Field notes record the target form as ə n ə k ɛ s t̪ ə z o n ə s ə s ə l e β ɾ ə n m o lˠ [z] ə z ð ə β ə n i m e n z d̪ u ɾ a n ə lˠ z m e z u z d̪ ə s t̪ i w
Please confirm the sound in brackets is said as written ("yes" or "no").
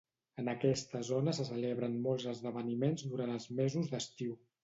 yes